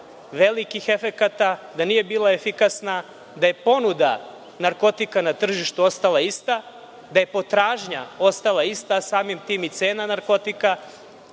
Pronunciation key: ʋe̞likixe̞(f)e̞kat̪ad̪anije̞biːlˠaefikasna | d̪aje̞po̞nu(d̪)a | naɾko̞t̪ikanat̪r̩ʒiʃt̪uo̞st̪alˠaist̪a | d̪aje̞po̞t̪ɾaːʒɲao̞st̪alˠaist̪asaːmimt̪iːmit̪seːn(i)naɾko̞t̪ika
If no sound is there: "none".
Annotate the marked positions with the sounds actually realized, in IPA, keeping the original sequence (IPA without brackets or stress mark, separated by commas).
f, d̪, a